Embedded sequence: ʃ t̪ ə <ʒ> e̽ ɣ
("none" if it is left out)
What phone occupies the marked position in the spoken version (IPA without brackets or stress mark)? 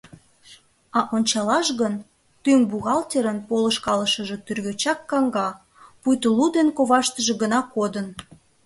ʒ